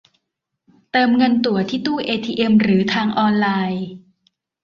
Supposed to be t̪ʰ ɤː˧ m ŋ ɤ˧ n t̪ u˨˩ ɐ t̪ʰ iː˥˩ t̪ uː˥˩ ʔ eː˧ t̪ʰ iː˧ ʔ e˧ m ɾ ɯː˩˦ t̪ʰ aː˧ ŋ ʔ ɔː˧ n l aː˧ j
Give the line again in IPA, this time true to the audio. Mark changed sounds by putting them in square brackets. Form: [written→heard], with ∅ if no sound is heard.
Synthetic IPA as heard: [t̪ʰ→t̪] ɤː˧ m ŋ ɤ˧ n t̪ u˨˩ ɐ t̪ʰ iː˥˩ t̪ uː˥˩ ʔ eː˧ t̪ʰ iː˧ ʔ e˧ m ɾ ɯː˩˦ t̪ʰ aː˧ ŋ ʔ ɔː˧ n l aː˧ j